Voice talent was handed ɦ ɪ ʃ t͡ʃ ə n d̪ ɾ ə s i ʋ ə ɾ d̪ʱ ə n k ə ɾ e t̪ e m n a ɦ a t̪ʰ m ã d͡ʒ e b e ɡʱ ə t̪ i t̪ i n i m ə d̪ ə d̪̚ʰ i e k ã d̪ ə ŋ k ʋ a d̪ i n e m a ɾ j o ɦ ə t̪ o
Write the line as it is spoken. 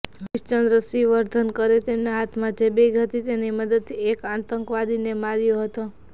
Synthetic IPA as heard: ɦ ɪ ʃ t͡ʃ ə n d̪ ɾ ə s i ʋ ə ɾ d̪ʱ ə n k ə ɾ e t̪ e m n a ɦ a t̪ʰ m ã d͡ʒ e b e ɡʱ ə t̪ i t̪ e n i m ə d̪ ə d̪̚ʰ i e k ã t̪ ə ŋ k ʋ a d̪ i n e m a ɾ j o ɦ ə t̪ o